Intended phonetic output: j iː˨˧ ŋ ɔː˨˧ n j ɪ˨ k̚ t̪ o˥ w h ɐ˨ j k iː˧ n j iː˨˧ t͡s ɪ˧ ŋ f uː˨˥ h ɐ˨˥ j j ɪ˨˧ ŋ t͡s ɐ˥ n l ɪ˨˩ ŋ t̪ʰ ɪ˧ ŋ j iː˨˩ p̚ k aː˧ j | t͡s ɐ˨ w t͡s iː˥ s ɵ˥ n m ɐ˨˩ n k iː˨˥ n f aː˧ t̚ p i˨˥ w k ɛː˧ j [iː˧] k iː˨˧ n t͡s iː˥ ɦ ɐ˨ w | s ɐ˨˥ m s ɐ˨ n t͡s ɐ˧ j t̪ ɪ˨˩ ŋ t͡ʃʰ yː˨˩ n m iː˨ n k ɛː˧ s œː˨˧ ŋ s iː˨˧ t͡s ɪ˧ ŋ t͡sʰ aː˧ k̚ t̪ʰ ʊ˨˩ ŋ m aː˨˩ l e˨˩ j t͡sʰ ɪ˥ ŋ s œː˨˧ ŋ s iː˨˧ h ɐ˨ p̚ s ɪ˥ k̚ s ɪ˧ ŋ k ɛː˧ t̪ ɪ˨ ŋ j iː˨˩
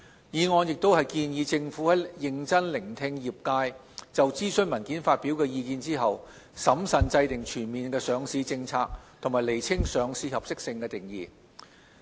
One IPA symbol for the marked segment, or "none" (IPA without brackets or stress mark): iː˧